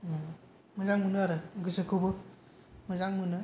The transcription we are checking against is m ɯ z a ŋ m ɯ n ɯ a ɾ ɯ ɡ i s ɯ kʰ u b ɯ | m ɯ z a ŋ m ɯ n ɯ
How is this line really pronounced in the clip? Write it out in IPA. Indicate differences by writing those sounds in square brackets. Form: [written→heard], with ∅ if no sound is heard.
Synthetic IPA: m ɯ z a ŋ m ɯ n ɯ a ɾ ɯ ɡ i s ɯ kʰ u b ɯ | m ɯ z a ŋ m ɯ n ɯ

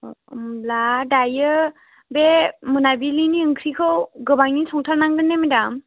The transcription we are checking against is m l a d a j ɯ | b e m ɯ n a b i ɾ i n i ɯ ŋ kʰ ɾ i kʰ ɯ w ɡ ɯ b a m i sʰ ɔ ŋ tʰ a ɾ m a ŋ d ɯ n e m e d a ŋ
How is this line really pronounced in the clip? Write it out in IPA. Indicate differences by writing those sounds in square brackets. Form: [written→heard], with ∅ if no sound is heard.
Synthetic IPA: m l a d a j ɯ | b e m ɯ n a b i [ɾ→l] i n i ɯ ŋ kʰ ɾ i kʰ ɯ w ɡ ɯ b a [m→ŋ] i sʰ ɔ ŋ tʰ a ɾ [m→n] a ŋ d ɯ n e m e d a [ŋ→m]

